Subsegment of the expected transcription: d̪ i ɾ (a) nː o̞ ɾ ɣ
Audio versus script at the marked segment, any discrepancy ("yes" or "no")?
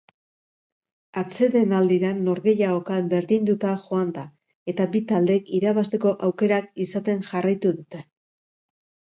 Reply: no